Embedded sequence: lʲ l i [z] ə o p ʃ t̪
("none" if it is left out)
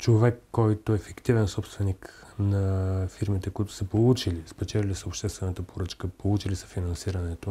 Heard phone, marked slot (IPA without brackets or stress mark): s